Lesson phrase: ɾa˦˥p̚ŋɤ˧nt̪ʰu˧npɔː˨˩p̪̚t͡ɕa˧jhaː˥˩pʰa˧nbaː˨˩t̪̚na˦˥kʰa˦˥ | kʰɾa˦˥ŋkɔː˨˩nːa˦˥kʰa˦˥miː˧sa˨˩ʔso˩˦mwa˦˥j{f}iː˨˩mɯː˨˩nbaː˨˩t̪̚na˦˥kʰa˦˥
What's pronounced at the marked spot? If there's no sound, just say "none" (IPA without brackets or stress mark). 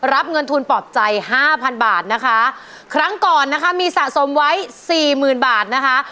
s